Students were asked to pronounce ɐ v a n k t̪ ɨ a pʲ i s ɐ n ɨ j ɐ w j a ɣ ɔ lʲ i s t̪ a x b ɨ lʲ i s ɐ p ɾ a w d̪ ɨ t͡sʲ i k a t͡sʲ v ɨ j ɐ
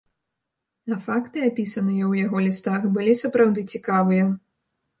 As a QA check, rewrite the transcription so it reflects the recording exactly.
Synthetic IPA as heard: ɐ f a k t̪ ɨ a pʲ i s ɐ n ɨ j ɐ w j a ɣ ɔ lʲ i s t̪ a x b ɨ lʲ i s ɐ p ɾ a w d̪ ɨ t͡sʲ i k a v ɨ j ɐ